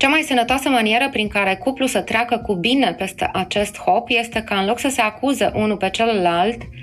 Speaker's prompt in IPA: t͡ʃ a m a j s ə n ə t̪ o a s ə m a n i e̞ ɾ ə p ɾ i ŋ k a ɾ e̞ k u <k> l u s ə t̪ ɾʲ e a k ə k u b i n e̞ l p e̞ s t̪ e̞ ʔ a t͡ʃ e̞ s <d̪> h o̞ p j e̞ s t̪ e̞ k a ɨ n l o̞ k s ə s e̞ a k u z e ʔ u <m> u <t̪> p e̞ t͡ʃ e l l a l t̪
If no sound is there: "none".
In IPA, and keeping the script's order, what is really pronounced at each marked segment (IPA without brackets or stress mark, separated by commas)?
p, t̪, n, none